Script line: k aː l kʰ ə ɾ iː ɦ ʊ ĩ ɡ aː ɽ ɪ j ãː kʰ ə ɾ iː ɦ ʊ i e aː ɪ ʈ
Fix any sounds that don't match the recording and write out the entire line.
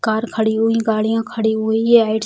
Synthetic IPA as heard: k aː ɾ kʰ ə ɽ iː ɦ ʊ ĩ ɡ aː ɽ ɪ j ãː kʰ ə ɽ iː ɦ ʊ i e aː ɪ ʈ